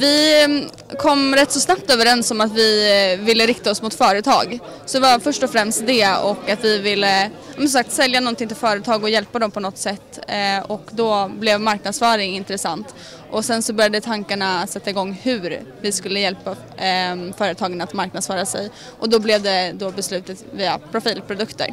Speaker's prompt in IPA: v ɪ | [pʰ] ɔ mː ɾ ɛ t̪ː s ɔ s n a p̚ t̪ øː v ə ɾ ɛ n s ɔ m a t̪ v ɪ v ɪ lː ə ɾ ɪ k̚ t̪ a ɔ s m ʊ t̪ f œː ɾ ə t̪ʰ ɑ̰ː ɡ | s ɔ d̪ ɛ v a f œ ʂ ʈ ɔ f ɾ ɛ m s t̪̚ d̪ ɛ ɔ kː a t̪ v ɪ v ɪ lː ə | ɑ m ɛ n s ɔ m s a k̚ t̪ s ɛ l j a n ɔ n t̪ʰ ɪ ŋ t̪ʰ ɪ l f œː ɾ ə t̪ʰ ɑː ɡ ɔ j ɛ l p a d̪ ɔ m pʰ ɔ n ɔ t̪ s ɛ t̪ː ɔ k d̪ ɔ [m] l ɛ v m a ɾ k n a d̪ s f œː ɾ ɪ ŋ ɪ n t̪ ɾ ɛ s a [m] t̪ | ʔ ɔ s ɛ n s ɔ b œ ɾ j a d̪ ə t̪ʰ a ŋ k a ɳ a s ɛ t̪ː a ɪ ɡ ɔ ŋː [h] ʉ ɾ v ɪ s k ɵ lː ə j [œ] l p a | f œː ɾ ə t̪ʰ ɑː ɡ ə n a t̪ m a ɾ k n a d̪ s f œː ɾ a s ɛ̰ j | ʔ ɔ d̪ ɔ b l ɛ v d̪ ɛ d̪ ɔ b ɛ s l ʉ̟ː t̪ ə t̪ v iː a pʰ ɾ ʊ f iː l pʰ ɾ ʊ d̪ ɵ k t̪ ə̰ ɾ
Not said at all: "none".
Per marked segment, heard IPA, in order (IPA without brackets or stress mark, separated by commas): kʰ, b, n, h, ɛ